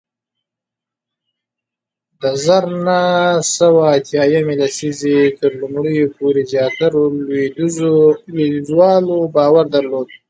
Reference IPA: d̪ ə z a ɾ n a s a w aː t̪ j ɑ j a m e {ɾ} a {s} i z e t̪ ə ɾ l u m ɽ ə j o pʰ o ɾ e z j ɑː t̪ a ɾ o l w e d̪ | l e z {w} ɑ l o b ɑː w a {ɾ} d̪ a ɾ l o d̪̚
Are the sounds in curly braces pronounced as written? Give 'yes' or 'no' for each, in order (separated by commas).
no, yes, yes, yes